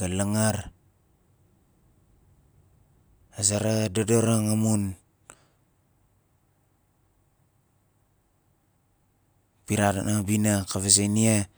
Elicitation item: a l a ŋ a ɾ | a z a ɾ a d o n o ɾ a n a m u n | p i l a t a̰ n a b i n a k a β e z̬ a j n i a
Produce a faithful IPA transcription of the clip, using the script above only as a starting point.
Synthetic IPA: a l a ŋ a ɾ | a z a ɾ a d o d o ɾ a ŋ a m u n | p i ɾ a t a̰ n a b i n a k a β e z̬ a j n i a